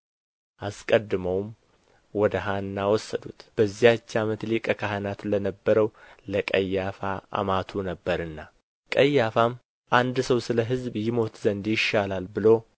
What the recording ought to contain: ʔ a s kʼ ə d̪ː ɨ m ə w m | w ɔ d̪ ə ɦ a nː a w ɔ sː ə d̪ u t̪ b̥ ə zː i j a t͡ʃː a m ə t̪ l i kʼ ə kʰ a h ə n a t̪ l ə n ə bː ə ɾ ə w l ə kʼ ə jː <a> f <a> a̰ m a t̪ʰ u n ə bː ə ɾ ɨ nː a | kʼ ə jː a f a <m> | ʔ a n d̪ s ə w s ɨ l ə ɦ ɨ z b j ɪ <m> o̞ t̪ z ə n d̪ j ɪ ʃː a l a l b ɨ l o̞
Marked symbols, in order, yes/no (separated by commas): yes, yes, yes, yes